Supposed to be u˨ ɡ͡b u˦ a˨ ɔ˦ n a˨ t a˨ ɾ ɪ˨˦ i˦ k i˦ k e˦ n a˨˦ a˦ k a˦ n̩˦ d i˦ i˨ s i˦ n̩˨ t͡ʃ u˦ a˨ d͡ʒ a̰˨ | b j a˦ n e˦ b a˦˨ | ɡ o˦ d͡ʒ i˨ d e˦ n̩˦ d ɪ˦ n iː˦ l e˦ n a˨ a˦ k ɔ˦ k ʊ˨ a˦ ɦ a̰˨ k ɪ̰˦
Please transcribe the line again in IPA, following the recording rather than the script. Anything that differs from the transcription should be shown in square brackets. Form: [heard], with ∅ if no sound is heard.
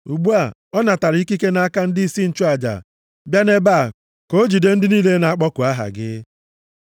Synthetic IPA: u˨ ɡ͡b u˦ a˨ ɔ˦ n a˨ t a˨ ɾ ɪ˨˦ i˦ k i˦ k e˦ n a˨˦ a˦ k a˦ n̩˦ d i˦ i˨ s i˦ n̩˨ t͡ʃ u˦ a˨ d͡ʒ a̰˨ | b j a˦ n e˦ b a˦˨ | [k] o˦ d͡ʒ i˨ d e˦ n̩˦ d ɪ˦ n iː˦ l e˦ n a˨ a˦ [k͡p] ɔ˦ k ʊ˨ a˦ ɦ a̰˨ [ɡ] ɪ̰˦